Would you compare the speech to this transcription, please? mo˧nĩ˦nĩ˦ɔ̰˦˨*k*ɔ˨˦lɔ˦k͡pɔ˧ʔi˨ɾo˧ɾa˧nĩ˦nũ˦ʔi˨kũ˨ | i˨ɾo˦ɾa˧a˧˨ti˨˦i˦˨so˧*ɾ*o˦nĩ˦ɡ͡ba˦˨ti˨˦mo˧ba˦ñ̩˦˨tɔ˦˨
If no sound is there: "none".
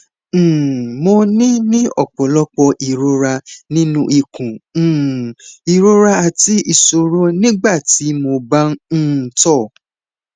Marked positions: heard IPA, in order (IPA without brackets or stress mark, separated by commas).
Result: k͡p, ɾ